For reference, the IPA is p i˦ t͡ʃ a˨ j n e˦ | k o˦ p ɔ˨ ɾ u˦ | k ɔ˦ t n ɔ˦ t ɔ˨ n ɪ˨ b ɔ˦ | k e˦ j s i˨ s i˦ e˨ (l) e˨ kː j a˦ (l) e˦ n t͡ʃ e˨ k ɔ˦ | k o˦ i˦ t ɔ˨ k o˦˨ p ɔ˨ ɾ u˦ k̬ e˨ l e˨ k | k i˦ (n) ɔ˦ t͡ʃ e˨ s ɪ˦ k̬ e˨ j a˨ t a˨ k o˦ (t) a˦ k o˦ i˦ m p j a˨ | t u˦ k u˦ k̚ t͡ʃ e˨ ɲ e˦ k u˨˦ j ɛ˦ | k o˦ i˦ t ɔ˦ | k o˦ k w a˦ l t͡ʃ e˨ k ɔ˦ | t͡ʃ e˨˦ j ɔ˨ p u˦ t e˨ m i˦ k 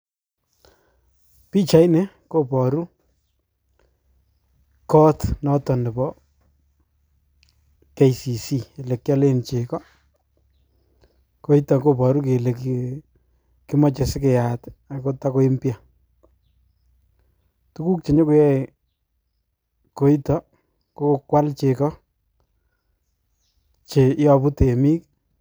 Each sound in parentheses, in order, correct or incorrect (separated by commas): correct, correct, incorrect, correct